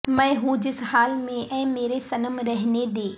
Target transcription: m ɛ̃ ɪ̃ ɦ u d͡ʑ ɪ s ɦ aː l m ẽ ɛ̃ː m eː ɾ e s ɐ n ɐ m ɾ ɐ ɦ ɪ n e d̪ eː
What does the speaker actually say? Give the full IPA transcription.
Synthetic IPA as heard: m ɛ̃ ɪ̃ ɦ u d͡ʑ ɪ s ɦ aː l m ẽ ɛ̃ː m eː ɾ e s ɐ n ə m ɾ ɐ ɦ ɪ n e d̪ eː